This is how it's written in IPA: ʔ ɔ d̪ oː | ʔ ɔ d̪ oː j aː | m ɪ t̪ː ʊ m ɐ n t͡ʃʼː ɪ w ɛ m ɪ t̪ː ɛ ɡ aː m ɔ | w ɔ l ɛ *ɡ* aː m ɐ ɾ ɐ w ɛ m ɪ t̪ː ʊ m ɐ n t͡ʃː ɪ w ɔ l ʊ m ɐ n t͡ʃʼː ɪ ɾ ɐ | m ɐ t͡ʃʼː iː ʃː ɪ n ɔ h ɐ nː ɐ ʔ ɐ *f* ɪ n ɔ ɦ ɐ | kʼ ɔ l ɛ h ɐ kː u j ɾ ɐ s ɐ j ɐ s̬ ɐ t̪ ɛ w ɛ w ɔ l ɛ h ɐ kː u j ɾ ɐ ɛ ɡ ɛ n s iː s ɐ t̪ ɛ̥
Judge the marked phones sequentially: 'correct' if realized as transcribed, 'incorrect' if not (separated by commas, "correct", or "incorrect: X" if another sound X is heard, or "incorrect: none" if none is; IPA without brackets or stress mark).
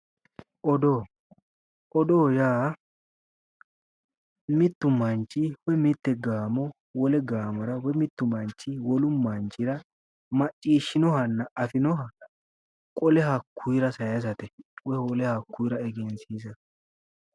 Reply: correct, correct